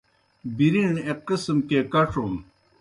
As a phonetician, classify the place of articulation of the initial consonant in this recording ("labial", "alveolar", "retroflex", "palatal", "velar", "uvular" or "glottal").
labial